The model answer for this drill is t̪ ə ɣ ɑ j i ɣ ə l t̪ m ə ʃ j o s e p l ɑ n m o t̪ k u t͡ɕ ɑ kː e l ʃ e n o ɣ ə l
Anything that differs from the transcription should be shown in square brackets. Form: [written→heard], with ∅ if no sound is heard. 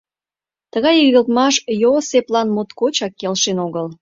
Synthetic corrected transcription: t̪ ə ɣ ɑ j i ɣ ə l t̪ m [ə→ɑ] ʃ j o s e p l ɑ n m o t̪ k [u→o] t͡ɕ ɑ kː e l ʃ e n o ɣ ə l